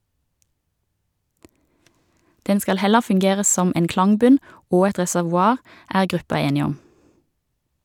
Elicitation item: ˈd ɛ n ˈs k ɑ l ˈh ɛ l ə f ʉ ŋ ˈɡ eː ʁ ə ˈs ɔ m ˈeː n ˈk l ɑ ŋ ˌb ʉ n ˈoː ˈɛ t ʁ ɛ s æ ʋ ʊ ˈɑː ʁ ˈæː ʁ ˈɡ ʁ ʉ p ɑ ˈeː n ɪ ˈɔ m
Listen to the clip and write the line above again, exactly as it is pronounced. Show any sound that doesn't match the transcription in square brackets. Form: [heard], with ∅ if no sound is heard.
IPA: ˈd ɛ n ˈs k ɑ l ˈh ɛ l ə f ʉ ŋ ˈɡ eː ʁ ə ˈs ɔ m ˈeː n ˈk l ɑ ŋ ˌb ʉ n ˈoː ˈɛ t ʁ ɛ s æ ʋ ʊ ˈɑː ʁ ˈæː ʁ ˈɡ ʁ ʉ p ɑ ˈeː n ɪ ˈɔ m

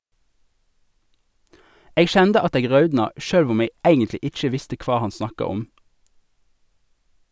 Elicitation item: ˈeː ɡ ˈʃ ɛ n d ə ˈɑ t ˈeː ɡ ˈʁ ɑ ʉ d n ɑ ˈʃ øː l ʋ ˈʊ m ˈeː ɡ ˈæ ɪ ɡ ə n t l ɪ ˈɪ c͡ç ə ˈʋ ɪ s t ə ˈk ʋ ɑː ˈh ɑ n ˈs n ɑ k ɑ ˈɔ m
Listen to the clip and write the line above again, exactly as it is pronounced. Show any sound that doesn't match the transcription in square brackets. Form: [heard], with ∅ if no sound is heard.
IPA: ˈeː ɡ ˈʃ ɛ n d ə ˈɑ t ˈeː ɡ ˈʁ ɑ ʉ d n ɑ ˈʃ øː l ʋ ˈʊ m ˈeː ɡ ˈæ ɪ ɡ ə n t l ɪ ˈɪ c͡ç ə ˈʋ ɪ s t ə ˈk ʋ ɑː ˈh ɑ n ˈs n ɑ k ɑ ˈɔ m

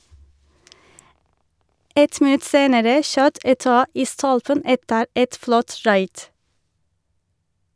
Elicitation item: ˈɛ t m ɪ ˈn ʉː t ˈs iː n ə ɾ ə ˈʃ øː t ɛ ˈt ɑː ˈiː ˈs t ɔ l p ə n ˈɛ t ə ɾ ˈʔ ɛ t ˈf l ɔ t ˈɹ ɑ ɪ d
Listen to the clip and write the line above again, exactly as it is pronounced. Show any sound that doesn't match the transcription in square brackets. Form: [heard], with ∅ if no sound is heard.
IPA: ˈɛ t m ɪ ˈn [ʉ] t ˈs [eː] n ə ɾ ə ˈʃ øː t ɛ ˈt ɑː ˈiː ˈs t ɔ l p ə n ˈɛ t ə ɾ ˈʔ ɛ t ˈf l ɔ t ˈɹ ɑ ɪ d

